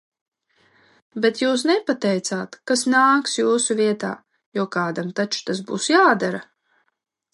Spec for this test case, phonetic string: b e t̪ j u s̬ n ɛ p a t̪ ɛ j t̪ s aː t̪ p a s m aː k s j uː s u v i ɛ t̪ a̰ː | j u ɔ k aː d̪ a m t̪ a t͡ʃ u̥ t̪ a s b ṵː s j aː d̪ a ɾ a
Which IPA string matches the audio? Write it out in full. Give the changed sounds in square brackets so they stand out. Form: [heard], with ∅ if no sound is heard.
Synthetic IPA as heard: b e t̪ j [uː] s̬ n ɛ p a t̪ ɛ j t̪ s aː t̪ [k] a s [n] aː k s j uː s u v i ɛ t̪ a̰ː | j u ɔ k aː d̪ a m t̪ a t͡ʃ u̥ t̪ a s b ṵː s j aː d̪ a ɾ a